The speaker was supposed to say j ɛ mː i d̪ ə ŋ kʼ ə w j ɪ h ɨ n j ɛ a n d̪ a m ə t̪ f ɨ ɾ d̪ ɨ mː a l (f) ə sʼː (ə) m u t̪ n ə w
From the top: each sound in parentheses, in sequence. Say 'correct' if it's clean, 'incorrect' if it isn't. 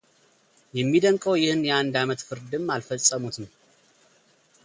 correct, correct

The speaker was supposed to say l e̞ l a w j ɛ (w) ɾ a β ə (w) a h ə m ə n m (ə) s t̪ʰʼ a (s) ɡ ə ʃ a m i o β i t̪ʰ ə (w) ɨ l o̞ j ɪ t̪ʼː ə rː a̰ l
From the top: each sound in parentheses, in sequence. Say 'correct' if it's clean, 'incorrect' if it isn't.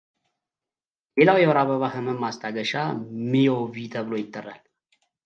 correct, incorrect: β, incorrect: a, incorrect: none, incorrect: β

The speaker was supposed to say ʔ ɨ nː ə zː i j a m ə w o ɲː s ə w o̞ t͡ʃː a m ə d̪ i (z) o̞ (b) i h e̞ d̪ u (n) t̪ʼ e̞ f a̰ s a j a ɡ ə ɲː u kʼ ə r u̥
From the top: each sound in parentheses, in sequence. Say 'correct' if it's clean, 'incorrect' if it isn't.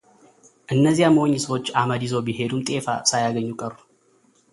correct, correct, incorrect: m

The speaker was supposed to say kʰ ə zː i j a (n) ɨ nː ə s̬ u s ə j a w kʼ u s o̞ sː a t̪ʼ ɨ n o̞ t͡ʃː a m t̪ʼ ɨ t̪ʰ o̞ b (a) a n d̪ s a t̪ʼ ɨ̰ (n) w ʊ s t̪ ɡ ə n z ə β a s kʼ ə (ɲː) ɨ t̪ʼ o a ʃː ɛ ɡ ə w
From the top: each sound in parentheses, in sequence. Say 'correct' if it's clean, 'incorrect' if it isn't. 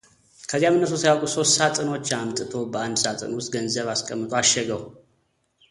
incorrect: m, incorrect: ə, correct, incorrect: mː

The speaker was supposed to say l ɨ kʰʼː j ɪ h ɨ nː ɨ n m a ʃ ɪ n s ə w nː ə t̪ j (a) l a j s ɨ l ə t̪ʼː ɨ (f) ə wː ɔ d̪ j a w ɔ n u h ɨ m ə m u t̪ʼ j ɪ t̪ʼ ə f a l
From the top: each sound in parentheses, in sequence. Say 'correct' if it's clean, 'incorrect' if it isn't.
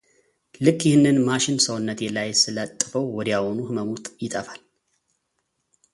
incorrect: ɛ, correct

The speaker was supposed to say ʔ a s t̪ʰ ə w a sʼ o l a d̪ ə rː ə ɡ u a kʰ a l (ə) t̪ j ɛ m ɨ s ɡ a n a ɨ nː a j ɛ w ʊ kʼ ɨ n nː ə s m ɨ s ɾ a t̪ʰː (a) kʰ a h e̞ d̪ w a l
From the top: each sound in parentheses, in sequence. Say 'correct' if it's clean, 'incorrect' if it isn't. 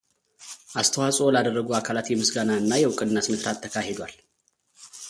incorrect: a, incorrect: ə

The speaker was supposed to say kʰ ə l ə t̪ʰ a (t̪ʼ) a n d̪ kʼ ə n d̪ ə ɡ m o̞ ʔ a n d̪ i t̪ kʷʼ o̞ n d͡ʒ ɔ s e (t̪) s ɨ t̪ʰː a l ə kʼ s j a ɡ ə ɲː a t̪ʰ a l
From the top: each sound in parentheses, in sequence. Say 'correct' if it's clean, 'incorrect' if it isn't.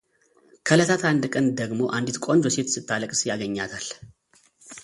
incorrect: t̪, correct

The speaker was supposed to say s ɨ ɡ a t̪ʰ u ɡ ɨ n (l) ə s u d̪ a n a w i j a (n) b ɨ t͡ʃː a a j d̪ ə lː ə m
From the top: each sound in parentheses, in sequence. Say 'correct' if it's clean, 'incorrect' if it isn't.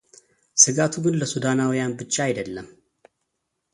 correct, correct

